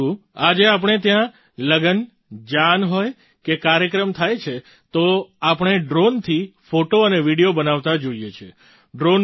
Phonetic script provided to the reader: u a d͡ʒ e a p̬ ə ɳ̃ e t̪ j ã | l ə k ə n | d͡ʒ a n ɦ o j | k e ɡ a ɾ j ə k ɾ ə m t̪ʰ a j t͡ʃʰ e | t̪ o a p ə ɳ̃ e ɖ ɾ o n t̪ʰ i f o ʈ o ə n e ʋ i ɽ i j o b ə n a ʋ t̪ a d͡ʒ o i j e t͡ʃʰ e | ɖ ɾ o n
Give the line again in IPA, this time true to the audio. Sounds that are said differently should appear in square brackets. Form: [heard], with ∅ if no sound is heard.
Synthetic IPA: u a d͡ʒ e a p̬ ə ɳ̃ e t̪ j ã | l ə [ɡ] ə n | d͡ʒ a n ɦ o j | k e [k] a ɾ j ə k ɾ ə m t̪ʰ a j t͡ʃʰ e | t̪ o a p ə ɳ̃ e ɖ ɾ o n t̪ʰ i f o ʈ o ə n e ʋ i ɽ i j o b ə n a ʋ t̪ a d͡ʒ o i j e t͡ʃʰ e | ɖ ɾ o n